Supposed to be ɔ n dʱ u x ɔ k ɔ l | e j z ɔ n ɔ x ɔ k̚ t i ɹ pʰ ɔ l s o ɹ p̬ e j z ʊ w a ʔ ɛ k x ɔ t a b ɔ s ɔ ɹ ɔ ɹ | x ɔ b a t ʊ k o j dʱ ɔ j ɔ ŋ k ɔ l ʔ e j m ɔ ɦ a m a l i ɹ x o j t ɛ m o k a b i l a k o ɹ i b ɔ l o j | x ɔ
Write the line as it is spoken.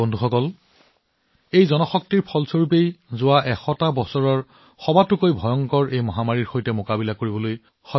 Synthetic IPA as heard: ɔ n dʱ u x ɔ k ɔ l | e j z ɔ n ɔ x ɔ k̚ t i ɹ pʰ ɔ l s o ɹ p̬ e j z ʊ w a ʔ ɛ x ɔ t a b ɔ s ɔ ɹ ɔ ɹ | x ɔ b a t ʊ k o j bʱ ɔ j ɔ ŋ k ɔ ɹ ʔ e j m ɔ ɦ a m a ɹ i ɹ x o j t ɛ m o k a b i l a k o ɹ i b ɔ l o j | x ɔ